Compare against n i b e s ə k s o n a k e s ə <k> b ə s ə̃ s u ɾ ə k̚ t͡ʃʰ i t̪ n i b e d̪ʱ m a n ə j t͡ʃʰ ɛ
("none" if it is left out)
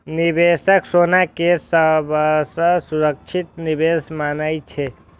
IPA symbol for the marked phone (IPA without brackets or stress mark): none